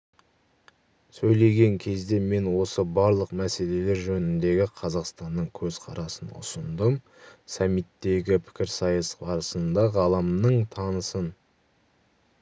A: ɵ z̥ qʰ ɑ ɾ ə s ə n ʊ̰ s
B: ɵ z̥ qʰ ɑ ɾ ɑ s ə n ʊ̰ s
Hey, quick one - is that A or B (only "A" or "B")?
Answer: B